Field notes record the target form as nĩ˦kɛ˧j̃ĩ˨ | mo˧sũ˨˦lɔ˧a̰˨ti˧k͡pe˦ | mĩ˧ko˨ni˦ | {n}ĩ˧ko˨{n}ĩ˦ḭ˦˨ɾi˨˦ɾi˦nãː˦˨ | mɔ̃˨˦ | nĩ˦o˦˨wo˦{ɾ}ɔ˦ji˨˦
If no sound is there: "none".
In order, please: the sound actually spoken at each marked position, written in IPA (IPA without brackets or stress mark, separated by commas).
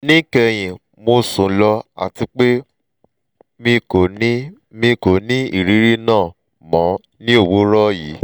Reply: m, n, ɾ